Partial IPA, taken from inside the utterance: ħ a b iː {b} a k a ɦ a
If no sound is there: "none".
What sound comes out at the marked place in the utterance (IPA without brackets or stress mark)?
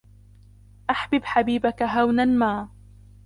b